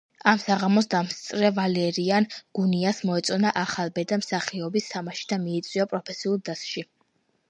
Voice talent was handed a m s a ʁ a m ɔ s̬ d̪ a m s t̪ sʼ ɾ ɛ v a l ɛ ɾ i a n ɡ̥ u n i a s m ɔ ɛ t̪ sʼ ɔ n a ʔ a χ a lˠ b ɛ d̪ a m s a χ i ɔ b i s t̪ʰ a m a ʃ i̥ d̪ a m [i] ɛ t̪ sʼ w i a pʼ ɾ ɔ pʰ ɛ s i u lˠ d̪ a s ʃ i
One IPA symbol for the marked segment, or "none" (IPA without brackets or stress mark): i